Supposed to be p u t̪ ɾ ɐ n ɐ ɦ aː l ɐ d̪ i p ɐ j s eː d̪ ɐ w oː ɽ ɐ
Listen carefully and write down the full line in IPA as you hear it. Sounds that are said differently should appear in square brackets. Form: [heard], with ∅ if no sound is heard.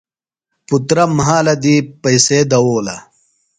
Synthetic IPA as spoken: p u t̪ ɾ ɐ [m] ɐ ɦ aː l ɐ d̪ i p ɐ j s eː d̪ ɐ w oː [l] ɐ